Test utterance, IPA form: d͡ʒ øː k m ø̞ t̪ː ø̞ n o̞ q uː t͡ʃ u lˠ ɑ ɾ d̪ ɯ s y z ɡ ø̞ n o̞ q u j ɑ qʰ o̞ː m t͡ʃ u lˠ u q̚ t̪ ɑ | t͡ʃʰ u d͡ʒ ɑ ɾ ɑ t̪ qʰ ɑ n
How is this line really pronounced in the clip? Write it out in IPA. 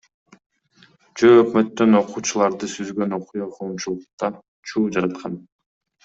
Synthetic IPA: d͡ʒ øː k m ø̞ t̪ː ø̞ n o̞ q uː t͡ʃ u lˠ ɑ ɾ d̪ ɯ s y z ɡ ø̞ n o̞ q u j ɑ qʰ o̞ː m t͡ʃ u lˠ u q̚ t̪ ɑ | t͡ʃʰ uː d͡ʒ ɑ ɾ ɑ t̪ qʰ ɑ n